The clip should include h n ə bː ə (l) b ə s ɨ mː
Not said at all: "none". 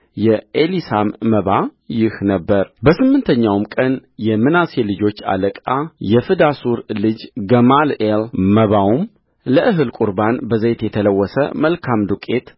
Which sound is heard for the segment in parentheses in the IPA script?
ɾ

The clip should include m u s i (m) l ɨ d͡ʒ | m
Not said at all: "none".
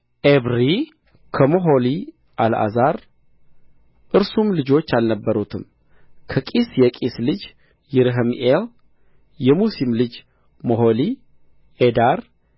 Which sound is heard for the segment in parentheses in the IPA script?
m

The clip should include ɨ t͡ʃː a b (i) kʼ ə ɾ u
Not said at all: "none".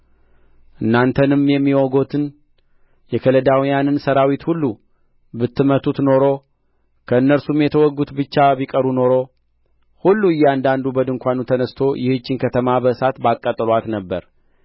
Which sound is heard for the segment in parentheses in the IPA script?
i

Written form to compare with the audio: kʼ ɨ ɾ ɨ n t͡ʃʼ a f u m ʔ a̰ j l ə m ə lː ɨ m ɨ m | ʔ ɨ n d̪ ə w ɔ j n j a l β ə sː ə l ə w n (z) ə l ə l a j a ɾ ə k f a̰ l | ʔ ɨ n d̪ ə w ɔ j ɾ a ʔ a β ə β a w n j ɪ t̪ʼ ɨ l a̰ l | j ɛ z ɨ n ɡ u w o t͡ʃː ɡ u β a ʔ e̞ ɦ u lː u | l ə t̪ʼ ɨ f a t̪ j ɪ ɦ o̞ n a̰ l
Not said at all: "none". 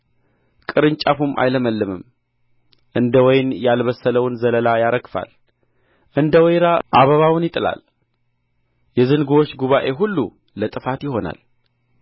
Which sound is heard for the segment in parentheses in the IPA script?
z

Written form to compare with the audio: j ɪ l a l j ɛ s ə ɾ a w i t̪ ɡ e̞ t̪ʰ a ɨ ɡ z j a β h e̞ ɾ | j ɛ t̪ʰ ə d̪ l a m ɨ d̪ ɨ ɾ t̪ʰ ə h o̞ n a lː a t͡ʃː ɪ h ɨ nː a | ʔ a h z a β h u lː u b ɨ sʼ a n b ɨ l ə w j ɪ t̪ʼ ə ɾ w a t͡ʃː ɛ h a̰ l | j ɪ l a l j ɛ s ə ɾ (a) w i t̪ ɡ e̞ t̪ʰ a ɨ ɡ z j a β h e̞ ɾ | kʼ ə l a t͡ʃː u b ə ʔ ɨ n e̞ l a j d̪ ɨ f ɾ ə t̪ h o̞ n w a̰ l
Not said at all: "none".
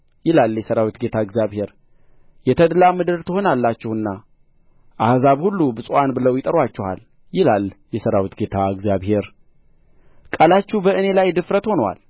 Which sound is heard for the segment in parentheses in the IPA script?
a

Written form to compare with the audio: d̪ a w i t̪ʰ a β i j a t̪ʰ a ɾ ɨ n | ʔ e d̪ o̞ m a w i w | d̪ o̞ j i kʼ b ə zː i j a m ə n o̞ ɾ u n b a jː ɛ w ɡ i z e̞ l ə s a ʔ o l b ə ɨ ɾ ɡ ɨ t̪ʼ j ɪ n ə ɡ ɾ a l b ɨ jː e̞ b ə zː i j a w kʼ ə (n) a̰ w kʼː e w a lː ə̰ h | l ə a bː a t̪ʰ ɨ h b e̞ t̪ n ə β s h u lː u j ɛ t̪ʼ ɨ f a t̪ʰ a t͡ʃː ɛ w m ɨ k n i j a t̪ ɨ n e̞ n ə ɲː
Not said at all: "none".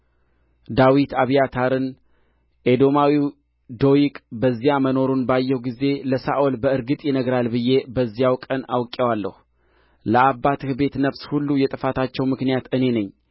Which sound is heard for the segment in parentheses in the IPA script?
n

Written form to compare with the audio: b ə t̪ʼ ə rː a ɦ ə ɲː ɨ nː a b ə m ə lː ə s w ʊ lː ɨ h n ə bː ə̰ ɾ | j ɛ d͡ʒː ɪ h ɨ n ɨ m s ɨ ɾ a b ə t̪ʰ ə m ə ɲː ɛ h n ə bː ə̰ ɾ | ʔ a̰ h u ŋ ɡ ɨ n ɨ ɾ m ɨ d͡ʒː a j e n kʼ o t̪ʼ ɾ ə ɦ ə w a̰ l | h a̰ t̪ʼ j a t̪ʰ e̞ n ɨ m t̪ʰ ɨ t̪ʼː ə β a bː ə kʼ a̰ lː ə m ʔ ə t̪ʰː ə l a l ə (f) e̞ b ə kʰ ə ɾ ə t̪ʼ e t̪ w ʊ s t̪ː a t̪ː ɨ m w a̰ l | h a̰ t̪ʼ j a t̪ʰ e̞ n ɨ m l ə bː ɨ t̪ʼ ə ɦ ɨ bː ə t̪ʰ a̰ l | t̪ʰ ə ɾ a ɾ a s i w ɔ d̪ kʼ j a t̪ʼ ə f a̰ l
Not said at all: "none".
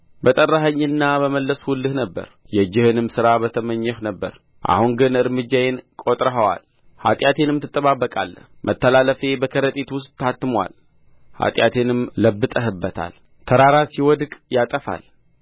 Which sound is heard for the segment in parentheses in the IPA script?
f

